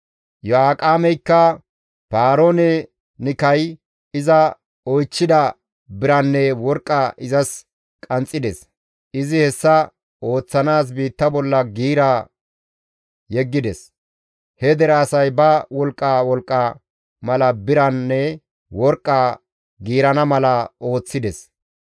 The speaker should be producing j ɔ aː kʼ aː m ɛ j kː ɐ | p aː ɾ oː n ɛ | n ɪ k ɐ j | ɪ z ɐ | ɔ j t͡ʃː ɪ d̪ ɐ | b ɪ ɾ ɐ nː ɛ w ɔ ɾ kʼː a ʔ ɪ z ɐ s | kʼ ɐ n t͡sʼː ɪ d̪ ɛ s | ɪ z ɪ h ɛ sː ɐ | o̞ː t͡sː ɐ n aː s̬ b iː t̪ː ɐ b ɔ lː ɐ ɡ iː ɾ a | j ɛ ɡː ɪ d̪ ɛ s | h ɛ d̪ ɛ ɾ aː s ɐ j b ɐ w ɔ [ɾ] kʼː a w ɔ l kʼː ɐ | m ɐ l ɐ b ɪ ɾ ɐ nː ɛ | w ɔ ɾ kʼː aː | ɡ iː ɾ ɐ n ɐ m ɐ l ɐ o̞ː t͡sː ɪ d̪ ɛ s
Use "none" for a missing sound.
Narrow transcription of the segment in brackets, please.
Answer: l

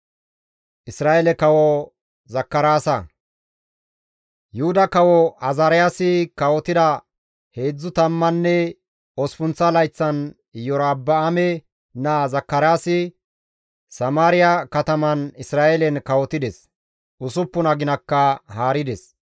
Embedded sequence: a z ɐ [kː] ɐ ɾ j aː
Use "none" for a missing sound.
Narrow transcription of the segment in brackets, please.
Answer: kː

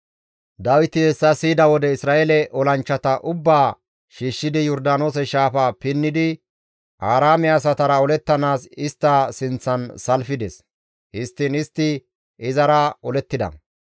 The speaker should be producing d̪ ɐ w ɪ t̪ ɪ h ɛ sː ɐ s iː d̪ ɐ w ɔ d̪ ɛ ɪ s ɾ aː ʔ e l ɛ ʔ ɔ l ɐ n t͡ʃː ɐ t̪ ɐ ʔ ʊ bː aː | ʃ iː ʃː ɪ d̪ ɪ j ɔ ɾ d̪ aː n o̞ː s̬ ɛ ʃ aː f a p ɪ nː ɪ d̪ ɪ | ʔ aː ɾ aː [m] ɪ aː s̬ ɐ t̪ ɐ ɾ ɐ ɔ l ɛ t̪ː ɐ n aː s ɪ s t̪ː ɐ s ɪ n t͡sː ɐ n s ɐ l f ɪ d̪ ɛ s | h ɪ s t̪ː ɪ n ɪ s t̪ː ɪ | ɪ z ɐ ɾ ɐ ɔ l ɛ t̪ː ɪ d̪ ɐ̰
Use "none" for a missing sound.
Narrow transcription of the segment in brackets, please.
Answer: m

